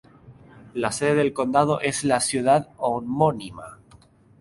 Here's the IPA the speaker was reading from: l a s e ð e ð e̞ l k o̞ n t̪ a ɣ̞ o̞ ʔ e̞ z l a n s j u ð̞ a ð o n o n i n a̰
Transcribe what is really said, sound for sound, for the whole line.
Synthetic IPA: l a s e ð e ð e̞ l k o̞ n d̪ a ð̞ o̞ ʔ e̞ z l a s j u ð̞ a ð o m o n i m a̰